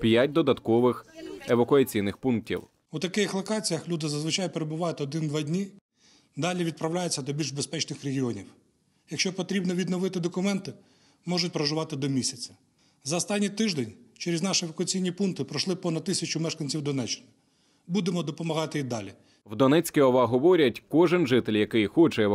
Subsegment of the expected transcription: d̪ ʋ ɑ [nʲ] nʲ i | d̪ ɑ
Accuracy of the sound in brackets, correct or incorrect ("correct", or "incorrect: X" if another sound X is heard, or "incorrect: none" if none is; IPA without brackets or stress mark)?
incorrect: dʲ